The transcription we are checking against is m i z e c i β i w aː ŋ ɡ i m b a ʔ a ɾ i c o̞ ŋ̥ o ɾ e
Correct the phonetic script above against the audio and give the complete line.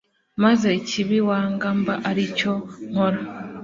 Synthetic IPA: m a z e c i β i w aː ŋ ɡ a m b a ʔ a ɾ i c o̞ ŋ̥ o ɾ a